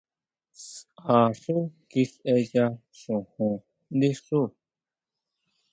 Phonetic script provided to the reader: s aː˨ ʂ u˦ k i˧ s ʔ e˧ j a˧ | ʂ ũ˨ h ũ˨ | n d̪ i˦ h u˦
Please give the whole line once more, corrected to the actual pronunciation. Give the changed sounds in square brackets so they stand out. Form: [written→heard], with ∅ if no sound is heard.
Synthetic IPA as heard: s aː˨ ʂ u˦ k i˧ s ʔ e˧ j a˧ | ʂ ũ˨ h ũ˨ | n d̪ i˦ [h→ʂ] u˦